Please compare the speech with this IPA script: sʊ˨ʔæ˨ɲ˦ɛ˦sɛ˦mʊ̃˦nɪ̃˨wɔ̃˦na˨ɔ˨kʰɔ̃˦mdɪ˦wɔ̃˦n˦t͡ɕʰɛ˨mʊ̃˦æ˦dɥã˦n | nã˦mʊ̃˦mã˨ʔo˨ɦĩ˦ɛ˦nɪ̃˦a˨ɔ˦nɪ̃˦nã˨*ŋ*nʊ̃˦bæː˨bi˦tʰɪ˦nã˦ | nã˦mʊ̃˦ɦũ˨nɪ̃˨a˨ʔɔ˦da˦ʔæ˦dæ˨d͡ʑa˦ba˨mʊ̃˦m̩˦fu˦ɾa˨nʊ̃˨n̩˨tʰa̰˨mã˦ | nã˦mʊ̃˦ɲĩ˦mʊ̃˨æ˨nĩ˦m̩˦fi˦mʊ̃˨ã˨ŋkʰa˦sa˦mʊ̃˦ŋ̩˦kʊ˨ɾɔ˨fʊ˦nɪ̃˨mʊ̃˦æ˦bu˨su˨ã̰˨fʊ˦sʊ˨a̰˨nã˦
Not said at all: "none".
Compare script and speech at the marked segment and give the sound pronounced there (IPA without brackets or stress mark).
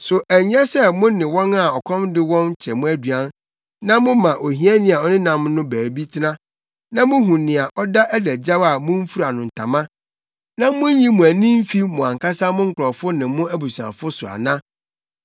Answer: m